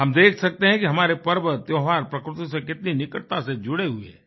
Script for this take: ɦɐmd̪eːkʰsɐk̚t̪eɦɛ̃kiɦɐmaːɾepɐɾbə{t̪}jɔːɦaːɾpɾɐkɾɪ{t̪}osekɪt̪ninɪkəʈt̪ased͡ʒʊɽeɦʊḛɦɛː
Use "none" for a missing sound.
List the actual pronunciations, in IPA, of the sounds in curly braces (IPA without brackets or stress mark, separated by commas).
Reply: t̪, t̪